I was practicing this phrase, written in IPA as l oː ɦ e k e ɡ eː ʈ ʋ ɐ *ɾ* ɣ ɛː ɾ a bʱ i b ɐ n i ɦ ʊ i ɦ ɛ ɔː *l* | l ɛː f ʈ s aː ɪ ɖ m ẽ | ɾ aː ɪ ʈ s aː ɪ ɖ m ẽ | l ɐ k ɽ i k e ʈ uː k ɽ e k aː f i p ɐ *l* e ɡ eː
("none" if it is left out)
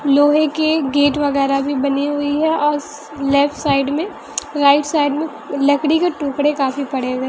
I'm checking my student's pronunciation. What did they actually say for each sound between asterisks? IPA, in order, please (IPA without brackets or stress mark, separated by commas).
none, ɾ, ɽ